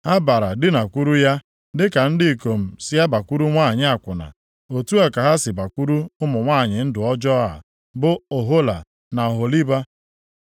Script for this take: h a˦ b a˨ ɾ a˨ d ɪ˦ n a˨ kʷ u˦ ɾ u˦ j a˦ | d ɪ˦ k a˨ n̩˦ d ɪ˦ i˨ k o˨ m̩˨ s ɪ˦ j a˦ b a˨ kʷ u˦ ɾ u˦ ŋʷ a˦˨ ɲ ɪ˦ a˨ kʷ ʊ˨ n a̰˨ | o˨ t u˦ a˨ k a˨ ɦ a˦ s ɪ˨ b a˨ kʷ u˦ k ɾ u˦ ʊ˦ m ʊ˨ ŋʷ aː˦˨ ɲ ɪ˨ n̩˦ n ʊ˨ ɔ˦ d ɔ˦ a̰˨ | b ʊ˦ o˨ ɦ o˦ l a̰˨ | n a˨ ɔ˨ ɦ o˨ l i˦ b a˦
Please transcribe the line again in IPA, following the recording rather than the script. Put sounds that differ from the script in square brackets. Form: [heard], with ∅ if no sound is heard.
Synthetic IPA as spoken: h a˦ b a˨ ɾ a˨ d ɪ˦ n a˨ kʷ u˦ ɾ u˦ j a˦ | d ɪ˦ k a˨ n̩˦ d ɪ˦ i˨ k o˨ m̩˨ s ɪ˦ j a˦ b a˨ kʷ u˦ ɾ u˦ ŋʷ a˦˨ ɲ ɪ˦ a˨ kʷ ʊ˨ n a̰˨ | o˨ t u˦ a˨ k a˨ ɦ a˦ s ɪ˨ b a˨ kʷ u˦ [∅] ɾ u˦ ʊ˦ m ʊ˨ ŋʷ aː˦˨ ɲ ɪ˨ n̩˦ [d] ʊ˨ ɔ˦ [d͡ʒ] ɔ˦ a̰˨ | b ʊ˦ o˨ ɦ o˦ l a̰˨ | n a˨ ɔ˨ ɦ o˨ l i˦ b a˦